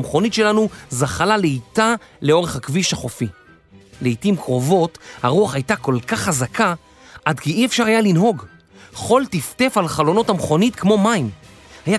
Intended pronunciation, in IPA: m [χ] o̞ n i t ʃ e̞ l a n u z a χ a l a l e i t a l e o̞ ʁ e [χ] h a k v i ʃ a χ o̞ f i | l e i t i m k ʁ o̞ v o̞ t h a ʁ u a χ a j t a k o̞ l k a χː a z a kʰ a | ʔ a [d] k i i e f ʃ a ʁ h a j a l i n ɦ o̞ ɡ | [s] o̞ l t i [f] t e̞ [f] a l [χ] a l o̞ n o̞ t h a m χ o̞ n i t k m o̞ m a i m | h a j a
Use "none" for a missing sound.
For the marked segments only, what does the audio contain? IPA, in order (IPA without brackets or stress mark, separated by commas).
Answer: χ, χ, d, χ, f, f, χ